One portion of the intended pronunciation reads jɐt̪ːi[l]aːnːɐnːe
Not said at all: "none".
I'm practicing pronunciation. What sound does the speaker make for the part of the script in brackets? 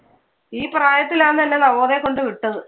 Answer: l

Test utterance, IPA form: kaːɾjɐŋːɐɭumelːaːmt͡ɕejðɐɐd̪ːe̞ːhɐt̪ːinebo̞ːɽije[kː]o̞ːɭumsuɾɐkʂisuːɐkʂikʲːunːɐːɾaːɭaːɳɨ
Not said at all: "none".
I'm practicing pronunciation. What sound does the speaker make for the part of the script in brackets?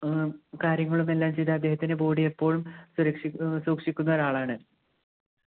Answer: pː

